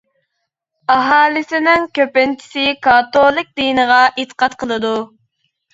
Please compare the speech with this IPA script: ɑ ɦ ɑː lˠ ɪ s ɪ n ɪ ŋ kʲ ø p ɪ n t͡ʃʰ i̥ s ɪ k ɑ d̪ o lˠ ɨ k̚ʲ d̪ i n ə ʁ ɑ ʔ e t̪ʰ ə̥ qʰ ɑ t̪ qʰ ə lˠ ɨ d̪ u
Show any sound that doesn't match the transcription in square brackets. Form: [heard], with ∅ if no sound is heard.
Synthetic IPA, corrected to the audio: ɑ ɦ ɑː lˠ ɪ s ɪ n ɪ ŋ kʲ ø p ɪ n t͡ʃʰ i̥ s ɪ k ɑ [t̪] o lˠ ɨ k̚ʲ d̪ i n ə ʁ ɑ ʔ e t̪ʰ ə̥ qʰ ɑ t̪ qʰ ə lˠ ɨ d̪ u

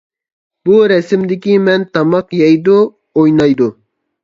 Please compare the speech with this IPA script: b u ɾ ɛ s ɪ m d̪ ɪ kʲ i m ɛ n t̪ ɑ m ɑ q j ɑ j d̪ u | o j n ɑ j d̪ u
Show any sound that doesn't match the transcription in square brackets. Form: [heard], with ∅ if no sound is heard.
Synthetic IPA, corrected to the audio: b u ɾ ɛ s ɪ m d̪ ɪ kʲ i m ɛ n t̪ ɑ m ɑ q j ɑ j d̪ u | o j n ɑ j d̪ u

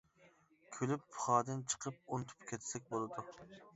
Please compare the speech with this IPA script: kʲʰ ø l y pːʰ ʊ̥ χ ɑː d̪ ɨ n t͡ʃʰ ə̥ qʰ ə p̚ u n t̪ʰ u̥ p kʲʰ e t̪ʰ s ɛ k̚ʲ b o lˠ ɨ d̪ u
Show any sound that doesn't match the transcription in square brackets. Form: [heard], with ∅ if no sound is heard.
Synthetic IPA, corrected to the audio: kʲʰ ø l y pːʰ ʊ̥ χ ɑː d̪ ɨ n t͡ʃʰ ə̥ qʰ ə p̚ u n t̪ʰ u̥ p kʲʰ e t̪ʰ s ɛ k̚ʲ b o lˠ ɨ d̪ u

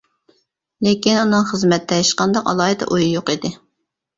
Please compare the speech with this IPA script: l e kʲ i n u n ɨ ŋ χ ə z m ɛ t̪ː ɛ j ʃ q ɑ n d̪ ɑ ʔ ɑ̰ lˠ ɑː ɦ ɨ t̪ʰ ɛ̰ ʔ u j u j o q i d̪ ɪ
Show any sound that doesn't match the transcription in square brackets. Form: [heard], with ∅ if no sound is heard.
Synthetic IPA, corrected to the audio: l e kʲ i n u n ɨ ŋ χ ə z m ɛ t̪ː ɛ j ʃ q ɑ n d̪ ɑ [q] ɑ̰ lˠ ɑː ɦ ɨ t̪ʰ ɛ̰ ʔ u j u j o q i d̪ ɪ

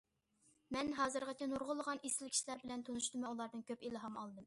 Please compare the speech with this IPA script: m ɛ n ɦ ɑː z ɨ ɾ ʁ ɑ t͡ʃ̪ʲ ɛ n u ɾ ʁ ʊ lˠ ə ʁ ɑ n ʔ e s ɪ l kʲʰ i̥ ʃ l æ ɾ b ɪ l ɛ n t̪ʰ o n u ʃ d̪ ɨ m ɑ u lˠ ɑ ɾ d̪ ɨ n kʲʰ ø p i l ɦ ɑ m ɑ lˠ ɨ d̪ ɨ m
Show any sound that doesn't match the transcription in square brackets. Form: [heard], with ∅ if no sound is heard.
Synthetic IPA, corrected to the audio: m ɛ n ɦ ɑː z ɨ ɾ ʁ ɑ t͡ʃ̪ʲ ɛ n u ɾ ʁ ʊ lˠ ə ʁ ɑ n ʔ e s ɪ l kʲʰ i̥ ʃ l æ ɾ b ɪ l ɛ n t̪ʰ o n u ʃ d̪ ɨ m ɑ u lˠ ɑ ɾ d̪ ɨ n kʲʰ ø p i l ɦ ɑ m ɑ lˠ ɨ d̪ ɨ m

